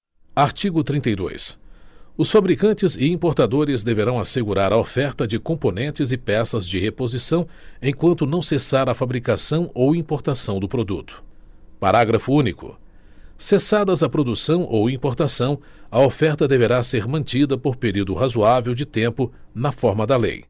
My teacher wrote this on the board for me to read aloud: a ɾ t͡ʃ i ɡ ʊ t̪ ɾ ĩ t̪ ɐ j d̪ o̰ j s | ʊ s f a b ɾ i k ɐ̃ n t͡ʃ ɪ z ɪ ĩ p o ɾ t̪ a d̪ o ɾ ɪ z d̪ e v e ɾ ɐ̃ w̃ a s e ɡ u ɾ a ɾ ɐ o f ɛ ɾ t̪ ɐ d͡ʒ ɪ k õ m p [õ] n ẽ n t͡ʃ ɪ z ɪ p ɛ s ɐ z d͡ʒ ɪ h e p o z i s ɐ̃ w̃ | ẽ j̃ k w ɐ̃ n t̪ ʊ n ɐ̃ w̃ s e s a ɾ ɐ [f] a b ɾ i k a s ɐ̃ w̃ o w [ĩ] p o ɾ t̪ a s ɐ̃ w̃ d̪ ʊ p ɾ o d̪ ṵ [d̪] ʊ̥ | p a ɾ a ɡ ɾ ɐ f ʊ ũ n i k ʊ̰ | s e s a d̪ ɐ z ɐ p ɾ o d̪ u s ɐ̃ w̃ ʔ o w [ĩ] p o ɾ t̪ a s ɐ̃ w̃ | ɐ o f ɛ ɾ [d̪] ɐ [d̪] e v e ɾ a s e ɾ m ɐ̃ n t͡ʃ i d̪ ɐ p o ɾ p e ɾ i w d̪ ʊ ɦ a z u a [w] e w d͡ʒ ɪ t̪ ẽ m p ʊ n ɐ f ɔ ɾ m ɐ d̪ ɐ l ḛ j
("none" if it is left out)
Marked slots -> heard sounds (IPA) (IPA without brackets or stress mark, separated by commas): o, f, ĩ, t̪, ĩ, t̪, d̪, v